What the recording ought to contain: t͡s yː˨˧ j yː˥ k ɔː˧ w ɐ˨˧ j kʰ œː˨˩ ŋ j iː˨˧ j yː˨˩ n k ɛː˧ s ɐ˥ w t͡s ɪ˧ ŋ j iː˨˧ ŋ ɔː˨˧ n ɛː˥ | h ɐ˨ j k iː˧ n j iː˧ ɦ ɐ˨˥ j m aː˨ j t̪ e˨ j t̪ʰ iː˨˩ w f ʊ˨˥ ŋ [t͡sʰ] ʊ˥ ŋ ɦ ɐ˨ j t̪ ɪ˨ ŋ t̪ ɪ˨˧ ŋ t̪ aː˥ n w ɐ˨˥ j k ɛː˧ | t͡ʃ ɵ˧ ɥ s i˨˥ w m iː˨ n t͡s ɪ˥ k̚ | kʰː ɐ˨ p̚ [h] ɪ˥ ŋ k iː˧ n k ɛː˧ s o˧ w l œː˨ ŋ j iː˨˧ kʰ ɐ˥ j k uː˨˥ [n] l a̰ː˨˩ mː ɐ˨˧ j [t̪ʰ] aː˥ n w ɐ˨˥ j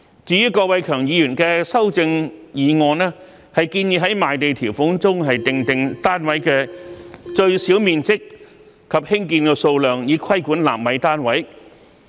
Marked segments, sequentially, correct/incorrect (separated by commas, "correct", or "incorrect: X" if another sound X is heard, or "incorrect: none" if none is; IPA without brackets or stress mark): incorrect: t͡s, correct, correct, incorrect: t̪